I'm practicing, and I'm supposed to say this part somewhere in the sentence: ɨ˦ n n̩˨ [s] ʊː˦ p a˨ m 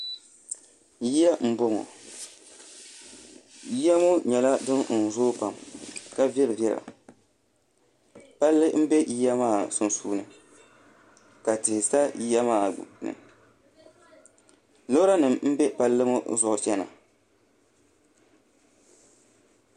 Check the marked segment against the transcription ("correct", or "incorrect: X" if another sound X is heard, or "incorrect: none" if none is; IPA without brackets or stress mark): incorrect: z